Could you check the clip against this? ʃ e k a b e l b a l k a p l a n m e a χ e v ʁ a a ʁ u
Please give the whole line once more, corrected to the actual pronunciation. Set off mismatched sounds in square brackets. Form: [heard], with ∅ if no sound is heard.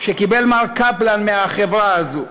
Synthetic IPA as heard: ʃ e k [i] b e l [m] a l k a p l a n m e a χ e v ʁ a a [z] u